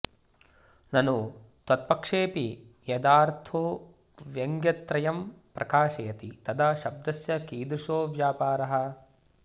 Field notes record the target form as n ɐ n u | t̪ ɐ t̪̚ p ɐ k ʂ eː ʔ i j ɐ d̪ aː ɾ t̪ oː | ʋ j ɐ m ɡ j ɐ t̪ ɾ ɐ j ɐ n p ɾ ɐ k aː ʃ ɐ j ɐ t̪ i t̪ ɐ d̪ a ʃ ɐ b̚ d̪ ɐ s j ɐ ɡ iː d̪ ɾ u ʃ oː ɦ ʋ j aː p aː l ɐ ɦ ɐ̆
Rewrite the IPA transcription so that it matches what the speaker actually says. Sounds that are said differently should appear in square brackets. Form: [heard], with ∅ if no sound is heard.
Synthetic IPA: n ɐ n u | t̪ ɐ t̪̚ p ɐ k ʂ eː [p] i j ɐ d̪ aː ɾ [t̪ʰ] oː | ʋ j ɐ [ŋ] ɡ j ɐ t̪ ɾ ɐ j ɐ [m] p ɾ ɐ k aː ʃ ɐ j ɐ t̪ i t̪ ɐ d̪ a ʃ ɐ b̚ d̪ ɐ s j ɐ [k] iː d̪ ɾ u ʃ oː [∅] ʋ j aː p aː [ɾ] ɐ ɦ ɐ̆

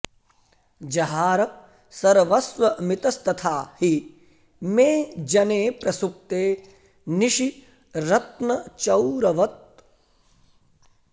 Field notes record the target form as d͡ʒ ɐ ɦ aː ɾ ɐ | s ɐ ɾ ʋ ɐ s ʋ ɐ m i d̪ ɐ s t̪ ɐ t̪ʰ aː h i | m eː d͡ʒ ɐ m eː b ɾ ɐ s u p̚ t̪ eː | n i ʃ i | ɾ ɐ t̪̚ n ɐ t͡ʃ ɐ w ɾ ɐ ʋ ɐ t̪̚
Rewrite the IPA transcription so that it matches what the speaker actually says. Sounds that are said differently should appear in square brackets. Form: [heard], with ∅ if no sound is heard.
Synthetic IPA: d͡ʒ ɐ ɦ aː ɾ ɐ | s ɐ ɾ ʋ ɐ s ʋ ɐ m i [t̪] ɐ s t̪ ɐ t̪ʰ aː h i | m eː d͡ʒ ɐ [n] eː [p] ɾ ɐ s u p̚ t̪ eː | n i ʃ i | ɾ ɐ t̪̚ n ɐ t͡ʃ ɐ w ɾ ɐ ʋ ɐ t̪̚

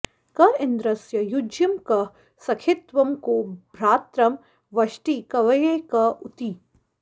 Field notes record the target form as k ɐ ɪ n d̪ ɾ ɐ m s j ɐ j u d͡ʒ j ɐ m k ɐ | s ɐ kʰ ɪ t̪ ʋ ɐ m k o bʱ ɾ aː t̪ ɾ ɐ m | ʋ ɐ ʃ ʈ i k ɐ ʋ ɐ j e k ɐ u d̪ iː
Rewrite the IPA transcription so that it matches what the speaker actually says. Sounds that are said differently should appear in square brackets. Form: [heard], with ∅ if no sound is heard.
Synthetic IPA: k ɐ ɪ n d̪ ɾ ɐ [∅] s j ɐ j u d͡ʒ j ɐ m k ɐ | s ɐ kʰ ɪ t̪ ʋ ɐ m k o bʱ ɾ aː t̪ ɾ ɐ m | ʋ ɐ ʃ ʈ i k ɐ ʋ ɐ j e k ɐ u [t̪] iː

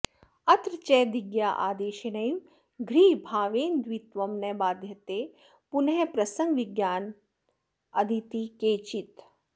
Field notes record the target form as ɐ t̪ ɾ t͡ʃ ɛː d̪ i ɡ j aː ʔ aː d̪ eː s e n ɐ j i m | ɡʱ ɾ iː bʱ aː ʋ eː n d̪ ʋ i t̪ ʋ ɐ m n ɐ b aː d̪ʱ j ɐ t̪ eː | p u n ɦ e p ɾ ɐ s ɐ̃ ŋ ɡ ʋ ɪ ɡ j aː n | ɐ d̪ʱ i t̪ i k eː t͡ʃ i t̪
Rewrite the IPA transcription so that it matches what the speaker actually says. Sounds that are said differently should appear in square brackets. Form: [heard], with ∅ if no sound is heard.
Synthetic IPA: ɐ t̪ ɾ t͡ʃ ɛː d̪ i ɡ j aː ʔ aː d̪ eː [ʃ] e n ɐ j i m | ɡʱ ɾ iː bʱ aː ʋ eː n d̪ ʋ i t̪ ʋ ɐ m n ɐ b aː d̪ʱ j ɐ t̪ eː | p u n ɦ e p ɾ ɐ s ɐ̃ ŋ ɡ ʋ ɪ ɡ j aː n | ɐ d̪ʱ i t̪ i k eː t͡ʃ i t̪

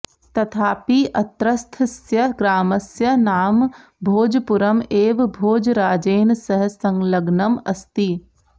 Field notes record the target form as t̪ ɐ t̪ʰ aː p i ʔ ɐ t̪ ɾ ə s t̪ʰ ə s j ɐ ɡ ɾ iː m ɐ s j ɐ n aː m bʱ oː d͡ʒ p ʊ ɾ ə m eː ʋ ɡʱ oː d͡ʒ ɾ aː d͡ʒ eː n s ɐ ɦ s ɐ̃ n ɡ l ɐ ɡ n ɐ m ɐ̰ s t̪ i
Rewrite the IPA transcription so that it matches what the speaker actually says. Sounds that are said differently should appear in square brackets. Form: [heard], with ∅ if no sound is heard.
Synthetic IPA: t̪ ɐ t̪ʰ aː p i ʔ ɐ t̪ ɾ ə s t̪ʰ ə s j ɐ ɡ ɾ [aː] m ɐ s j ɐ n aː m bʱ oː d͡ʒ p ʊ ɾ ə m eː ʋ [bʱ] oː d͡ʒ ɾ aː d͡ʒ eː n s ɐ ɦ s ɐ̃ [ŋ] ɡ l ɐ ɡ n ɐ m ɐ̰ s t̪ i

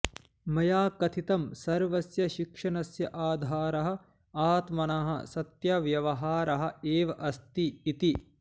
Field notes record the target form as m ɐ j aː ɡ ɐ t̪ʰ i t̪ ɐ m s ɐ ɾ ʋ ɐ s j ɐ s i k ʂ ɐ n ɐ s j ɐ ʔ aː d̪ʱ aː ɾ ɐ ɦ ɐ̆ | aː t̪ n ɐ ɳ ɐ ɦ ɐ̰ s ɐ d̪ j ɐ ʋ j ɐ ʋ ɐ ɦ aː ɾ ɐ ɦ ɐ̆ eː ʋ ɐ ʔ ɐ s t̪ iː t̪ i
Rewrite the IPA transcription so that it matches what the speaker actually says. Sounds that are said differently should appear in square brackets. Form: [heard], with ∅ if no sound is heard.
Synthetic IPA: m ɐ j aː [k] ɐ t̪ʰ i t̪ ɐ m s ɐ ɾ ʋ ɐ s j ɐ [ʃ] i k ʂ ɐ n ɐ s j ɐ ʔ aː d̪ʱ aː ɾ ɐ ɦ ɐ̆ | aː t̪ [m] ɐ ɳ ɐ ɦ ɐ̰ s ɐ [t̪] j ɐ ʋ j ɐ ʋ ɐ ɦ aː ɾ ɐ ɦ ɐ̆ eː ʋ ɐ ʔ ɐ s t̪ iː t̪ i

